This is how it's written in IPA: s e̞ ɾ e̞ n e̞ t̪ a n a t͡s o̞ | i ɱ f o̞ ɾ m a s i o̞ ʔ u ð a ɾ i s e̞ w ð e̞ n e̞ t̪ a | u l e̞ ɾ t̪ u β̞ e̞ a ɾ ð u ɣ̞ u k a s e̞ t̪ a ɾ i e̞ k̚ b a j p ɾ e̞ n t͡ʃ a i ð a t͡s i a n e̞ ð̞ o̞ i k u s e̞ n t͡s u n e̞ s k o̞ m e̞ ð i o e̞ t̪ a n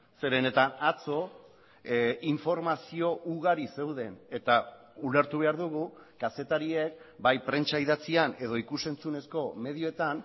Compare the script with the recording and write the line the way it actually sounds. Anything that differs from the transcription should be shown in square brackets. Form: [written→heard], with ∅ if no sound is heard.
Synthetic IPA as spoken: s e̞ ɾ e̞ n e̞ t̪ a n a t͡s o̞ | i ɱ f o̞ ɾ m a s i o̞ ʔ u [ð→ɣ] a ɾ i s e̞ w ð e̞ n e̞ t̪ a | u l e̞ ɾ t̪ u β̞ e̞ a ɾ ð u ɣ̞ u k a s e̞ t̪ a ɾ i e̞ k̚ b a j p ɾ e̞ n t͡ʃ a i ð a t͡s i a n e̞ ð̞ o̞ i k u s e̞ n t͡s u n e̞ s k o̞ m e̞ ð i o e̞ t̪ a n